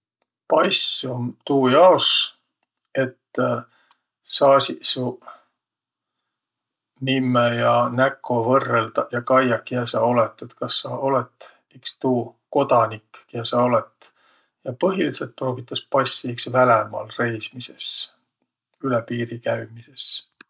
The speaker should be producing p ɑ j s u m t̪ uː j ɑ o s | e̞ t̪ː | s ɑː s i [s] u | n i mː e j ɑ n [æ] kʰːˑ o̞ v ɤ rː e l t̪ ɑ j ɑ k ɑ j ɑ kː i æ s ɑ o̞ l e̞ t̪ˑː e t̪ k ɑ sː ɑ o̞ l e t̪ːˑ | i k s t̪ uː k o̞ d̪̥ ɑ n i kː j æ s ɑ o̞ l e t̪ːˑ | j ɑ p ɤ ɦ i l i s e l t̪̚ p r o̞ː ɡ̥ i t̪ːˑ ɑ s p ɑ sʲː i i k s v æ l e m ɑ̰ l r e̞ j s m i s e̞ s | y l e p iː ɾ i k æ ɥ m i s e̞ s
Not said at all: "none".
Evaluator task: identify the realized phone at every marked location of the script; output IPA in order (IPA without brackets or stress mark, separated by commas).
s, æ